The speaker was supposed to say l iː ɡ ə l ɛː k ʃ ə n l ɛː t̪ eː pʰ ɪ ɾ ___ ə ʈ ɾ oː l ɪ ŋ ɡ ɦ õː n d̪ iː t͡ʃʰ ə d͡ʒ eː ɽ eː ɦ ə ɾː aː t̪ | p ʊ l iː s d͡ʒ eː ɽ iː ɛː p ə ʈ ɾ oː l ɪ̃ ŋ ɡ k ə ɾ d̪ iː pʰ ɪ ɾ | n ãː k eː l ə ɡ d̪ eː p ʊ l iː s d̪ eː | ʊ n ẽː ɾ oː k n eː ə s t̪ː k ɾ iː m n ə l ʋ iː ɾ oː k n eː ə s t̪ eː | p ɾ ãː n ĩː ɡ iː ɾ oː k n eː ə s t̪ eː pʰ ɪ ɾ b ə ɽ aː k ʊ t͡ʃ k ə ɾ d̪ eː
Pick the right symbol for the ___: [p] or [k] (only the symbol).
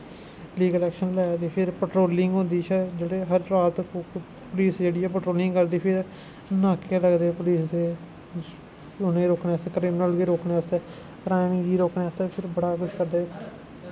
p